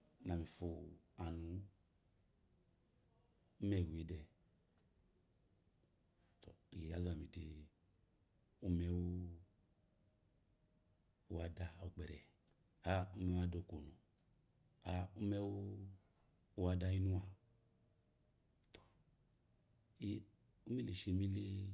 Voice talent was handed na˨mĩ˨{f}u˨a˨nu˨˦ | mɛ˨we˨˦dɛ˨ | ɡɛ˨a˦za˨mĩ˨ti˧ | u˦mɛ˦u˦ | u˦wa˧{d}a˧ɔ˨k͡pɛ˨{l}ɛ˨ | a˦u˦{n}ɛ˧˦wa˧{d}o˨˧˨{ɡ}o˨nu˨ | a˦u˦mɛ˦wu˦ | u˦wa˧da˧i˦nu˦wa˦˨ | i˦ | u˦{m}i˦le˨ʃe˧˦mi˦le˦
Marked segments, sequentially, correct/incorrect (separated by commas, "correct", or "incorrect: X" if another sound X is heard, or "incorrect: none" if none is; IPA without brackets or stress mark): correct, correct, incorrect: ɾ, incorrect: m, correct, incorrect: k, correct